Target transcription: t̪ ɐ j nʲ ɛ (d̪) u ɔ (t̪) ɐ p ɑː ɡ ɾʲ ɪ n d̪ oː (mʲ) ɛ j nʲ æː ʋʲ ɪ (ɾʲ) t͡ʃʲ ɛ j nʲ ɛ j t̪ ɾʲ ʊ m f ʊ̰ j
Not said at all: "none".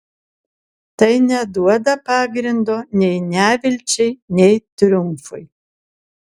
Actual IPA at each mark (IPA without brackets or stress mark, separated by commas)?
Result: d̪, d̪, nʲ, lʲ